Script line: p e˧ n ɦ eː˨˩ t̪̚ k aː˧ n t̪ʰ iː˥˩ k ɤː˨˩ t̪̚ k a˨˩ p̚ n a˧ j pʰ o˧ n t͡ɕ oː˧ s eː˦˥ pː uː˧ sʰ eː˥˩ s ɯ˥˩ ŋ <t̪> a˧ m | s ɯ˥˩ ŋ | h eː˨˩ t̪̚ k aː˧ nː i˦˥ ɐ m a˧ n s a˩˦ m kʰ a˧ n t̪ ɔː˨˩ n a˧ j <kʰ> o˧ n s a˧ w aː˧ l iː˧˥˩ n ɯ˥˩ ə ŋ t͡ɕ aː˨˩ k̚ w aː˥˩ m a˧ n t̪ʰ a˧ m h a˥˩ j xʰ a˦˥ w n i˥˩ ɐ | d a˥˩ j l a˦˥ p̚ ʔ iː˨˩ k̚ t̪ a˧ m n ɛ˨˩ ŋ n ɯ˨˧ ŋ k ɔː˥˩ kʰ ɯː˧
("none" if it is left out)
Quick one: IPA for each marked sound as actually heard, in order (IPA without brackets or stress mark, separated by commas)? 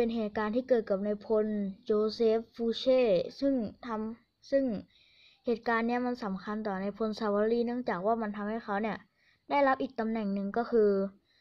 t̪ʰ, pʰ